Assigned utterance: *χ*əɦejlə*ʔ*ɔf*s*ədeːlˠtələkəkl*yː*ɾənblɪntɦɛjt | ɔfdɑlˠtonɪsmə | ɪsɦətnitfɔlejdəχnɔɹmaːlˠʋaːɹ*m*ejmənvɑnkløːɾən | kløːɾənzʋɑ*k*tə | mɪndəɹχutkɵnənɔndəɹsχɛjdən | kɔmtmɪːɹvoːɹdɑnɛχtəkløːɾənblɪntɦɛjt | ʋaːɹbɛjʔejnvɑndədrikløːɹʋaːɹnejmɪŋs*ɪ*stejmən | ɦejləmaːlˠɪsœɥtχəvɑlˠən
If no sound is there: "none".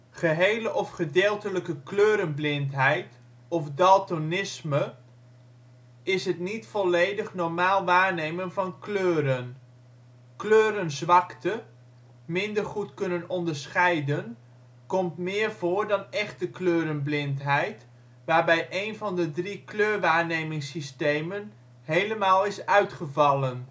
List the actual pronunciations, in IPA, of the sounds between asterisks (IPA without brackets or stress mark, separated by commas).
χ, ʔ, χ, øː, n, k, i